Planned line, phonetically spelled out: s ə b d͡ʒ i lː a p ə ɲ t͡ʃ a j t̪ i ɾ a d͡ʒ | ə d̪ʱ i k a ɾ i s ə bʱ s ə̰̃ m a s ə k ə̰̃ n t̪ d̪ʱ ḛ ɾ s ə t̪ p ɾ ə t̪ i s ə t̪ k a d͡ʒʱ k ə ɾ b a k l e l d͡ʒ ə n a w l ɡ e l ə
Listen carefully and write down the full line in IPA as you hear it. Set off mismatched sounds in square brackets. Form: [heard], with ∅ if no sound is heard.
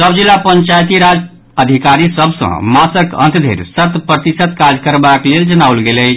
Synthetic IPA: s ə b d͡ʒ i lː a p ə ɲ t͡ʃ a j t̪ i ɾ a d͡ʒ | ə d̪ʱ i k a ɾ i s ə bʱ s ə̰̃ m a s ə k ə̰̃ n t̪ d̪ʱ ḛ ɾ s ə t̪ p ɾ ə t̪ i s ə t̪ k a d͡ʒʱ k ə ɾ b a k l e l d͡ʒ ə n a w l ɡ e l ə